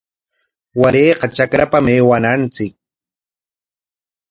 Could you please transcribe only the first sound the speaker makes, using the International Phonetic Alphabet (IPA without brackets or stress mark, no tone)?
w